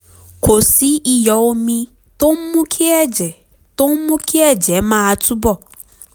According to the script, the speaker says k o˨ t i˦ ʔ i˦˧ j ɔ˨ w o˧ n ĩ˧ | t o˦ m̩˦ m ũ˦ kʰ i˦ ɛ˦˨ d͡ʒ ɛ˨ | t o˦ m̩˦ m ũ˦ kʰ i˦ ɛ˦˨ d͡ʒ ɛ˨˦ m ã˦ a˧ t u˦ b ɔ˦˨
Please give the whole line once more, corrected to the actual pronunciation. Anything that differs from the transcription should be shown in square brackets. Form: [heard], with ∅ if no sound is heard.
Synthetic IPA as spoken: k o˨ [s] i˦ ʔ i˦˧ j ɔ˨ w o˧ [m] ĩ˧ | t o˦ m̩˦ m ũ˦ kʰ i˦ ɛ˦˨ d͡ʒ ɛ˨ | t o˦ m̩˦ m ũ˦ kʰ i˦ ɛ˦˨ d͡ʒ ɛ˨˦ m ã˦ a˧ t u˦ b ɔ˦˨

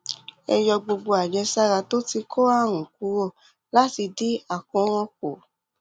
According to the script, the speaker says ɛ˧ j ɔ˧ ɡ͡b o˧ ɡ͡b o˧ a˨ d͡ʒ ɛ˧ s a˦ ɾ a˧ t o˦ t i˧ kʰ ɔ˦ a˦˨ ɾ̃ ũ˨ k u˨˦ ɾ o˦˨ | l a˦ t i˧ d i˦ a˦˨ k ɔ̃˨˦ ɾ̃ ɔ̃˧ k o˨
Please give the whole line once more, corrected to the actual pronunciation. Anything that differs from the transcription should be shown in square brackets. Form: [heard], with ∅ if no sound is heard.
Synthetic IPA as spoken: ɛ˧ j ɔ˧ ɡ͡b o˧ ɡ͡b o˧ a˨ d͡ʒ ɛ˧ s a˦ ɾ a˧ t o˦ t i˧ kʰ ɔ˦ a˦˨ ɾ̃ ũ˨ k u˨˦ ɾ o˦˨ | l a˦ t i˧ d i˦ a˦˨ k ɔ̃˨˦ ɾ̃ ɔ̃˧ k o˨

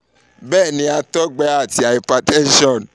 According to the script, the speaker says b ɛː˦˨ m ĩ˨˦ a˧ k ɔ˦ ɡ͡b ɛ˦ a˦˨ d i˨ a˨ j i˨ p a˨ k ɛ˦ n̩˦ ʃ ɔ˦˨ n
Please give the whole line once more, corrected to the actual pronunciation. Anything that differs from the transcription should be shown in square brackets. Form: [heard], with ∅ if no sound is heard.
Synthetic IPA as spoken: b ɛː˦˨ [n] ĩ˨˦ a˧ [t] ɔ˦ ɡ͡b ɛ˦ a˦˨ [t] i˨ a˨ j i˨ p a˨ [t] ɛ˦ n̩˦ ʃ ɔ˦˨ n

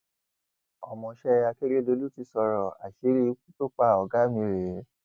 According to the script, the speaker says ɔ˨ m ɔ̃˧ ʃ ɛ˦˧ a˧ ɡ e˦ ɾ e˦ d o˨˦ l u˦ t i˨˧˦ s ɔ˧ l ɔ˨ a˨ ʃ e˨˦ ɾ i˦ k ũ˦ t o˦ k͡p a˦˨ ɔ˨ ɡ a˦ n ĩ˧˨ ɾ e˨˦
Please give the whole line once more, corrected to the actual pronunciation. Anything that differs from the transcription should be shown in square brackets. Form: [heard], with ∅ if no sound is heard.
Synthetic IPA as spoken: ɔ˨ m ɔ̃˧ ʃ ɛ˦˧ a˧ [k] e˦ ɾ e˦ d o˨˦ l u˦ t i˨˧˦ s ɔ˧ [ɾ] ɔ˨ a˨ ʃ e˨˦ ɾ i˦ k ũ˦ t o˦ k͡p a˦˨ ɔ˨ ɡ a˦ [m] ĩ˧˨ ɾ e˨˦

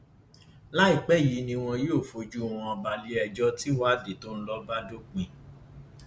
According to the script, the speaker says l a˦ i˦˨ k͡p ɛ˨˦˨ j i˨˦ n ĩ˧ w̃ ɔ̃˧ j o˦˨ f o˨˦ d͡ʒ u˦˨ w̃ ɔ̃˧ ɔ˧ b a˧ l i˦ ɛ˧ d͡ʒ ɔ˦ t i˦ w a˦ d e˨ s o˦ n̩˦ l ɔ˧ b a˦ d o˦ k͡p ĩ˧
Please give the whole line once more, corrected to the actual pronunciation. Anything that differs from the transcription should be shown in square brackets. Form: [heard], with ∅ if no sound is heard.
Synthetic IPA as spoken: l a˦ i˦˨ k͡p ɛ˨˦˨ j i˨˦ n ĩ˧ w̃ ɔ̃˧ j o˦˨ f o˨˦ d͡ʒ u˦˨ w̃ ɔ̃˧ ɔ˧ b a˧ l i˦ ɛ˧ d͡ʒ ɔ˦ t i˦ w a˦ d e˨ [t] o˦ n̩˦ l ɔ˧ b a˦ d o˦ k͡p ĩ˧

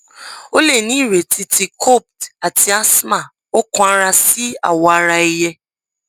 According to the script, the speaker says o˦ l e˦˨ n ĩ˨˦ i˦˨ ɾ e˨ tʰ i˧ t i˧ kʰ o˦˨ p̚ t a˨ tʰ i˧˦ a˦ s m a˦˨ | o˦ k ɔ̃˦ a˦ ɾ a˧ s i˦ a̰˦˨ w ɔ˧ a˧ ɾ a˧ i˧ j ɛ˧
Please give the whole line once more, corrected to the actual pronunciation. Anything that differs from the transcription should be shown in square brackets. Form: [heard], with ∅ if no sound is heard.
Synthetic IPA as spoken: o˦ l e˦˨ n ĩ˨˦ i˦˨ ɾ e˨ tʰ i˧ t i˧ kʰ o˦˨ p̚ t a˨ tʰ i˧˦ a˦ s m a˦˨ | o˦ k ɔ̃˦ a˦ ɾ a˧ s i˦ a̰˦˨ w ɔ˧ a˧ ɾ a˧ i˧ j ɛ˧

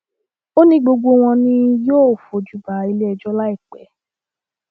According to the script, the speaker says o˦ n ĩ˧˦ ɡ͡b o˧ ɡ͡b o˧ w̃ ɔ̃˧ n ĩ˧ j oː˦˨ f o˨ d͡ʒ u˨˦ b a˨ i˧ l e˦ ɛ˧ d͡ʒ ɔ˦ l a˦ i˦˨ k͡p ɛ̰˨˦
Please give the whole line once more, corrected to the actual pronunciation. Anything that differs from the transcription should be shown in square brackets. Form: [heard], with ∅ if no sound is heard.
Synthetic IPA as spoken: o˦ n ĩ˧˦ ɡ͡b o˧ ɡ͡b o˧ w̃ ɔ̃˧ n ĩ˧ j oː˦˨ f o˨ d͡ʒ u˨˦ b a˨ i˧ l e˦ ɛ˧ d͡ʒ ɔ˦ l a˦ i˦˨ k͡p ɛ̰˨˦

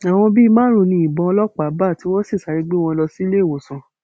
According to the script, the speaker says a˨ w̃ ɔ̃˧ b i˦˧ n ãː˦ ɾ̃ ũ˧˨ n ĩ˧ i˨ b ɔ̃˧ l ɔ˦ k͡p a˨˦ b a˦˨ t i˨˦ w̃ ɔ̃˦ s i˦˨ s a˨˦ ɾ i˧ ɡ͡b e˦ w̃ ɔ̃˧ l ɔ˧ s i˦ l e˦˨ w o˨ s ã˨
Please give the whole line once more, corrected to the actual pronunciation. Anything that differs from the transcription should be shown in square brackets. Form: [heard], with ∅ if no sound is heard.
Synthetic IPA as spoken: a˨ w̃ ɔ̃˧ b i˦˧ [m] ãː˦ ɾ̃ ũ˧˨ n ĩ˧ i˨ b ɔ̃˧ l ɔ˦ k͡p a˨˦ b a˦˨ t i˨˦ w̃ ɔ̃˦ s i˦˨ s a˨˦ ɾ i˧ ɡ͡b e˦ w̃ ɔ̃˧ l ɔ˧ s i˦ l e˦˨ w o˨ s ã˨

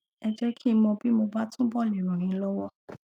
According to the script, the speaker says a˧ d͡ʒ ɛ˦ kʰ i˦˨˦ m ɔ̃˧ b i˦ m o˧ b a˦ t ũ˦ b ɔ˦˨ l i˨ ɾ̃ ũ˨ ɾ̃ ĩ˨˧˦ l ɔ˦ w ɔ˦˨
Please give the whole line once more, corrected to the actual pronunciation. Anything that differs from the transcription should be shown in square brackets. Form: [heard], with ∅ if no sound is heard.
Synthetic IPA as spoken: [ɛ˧] d͡ʒ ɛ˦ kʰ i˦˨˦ m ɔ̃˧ b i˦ m o˧ b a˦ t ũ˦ b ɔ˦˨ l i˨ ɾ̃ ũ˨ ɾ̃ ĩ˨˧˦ l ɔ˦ w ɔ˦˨

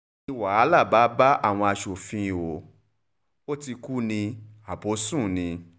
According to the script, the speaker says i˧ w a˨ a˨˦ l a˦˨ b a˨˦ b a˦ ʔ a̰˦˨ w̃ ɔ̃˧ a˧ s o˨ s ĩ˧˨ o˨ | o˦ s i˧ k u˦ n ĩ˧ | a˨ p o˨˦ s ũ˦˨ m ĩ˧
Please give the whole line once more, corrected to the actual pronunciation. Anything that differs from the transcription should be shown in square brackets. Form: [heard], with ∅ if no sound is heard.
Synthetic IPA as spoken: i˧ w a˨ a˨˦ l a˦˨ b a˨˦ b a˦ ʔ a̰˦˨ w̃ ɔ̃˧ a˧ [ʃ] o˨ [f] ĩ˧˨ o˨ | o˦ [t] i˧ k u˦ n ĩ˧ | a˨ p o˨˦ s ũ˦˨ [n] ĩ˧

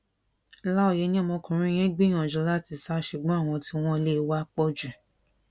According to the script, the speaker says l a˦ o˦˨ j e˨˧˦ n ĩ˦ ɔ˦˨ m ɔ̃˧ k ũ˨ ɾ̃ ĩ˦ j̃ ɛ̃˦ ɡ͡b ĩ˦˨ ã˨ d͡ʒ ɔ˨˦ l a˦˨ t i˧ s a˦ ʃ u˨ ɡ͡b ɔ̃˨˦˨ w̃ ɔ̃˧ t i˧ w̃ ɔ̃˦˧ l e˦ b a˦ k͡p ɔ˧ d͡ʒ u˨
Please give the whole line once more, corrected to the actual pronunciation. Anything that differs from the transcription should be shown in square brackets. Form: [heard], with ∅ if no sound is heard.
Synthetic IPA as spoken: l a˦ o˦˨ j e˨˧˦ n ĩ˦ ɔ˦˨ m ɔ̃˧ k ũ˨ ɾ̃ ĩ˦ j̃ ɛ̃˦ ɡ͡b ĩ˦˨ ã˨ d͡ʒ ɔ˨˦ l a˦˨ t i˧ s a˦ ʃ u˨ ɡ͡b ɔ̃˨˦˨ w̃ ɔ̃˧ t i˧ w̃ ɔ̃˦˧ l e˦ [w] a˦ k͡p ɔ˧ d͡ʒ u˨

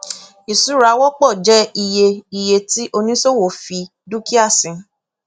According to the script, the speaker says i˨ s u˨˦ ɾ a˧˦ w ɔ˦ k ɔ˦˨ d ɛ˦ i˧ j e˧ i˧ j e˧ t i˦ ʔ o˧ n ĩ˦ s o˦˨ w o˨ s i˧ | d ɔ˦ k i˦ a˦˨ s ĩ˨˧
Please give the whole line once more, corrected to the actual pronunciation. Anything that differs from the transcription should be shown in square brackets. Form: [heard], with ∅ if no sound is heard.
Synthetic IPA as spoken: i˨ s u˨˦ ɾ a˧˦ w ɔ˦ [k͡p] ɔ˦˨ [d͡ʒ] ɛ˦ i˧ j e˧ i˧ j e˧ t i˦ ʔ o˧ n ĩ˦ s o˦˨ w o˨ [f] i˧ | d [u˦] k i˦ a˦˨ s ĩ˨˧

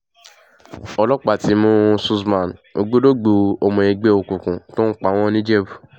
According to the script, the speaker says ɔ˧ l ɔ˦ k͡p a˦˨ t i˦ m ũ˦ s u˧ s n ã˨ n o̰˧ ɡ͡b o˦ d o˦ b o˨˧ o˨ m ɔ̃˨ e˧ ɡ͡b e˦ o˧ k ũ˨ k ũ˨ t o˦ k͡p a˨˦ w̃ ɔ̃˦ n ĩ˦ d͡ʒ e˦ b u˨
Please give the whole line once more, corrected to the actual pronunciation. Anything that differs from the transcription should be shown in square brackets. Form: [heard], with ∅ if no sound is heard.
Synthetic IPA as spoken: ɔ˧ l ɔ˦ k͡p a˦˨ t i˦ m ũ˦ s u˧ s [m] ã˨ n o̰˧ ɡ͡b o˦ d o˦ [ɡ͡b] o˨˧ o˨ m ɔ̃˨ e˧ ɡ͡b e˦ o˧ k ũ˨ k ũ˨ t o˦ k͡p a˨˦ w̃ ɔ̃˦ n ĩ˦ d͡ʒ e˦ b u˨

